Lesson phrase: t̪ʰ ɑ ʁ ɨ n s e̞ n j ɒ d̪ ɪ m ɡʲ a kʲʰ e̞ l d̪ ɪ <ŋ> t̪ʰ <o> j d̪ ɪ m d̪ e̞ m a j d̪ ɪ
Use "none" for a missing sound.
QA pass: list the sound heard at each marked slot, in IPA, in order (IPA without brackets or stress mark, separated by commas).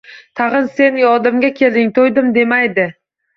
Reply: ŋ, o